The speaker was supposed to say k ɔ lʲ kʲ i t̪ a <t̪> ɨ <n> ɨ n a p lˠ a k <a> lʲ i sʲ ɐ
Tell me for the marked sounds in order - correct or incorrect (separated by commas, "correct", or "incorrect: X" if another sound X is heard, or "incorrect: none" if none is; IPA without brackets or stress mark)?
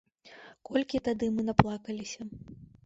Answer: incorrect: d̪, incorrect: m, incorrect: ɐ